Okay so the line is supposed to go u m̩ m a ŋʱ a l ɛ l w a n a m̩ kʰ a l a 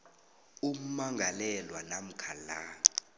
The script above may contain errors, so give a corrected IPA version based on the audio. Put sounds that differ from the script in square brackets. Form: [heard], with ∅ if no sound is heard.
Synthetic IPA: u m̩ m a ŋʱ a l ɛ l w a n a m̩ kʰ a l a

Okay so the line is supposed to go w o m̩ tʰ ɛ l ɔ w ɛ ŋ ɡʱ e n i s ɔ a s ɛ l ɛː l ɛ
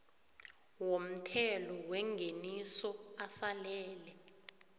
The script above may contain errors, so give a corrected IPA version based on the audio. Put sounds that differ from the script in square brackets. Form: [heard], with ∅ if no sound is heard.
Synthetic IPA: w o m̩ tʰ ɛ l ɔ w ɛ ŋ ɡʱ e n i s ɔ a s [a] l ɛː l ɛ

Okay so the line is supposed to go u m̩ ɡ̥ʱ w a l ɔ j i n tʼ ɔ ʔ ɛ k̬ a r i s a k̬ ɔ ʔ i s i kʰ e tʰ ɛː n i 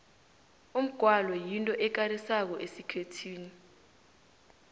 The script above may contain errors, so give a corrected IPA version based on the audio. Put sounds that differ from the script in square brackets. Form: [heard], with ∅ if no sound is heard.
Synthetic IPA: u m̩ ɡ̥ʱ w a l ɔ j i n tʼ ɔ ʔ ɛ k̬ a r i s a k̬ ɔ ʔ [e] s i kʰ e tʰ [iː] n i

